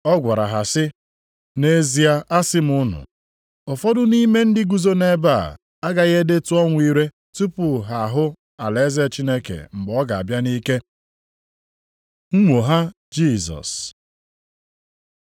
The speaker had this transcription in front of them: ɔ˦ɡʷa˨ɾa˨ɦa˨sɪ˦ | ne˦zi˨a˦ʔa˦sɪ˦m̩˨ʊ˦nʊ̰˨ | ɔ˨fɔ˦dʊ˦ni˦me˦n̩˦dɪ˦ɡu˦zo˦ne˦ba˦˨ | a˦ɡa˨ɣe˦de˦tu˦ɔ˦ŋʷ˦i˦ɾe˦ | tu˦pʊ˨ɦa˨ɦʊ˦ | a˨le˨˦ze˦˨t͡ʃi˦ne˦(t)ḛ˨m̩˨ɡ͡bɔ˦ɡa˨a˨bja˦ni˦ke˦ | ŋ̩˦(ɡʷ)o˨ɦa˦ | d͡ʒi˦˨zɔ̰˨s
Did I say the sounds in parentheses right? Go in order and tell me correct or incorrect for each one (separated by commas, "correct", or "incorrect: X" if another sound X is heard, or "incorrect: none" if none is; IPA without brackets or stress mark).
incorrect: k, incorrect: ŋʷ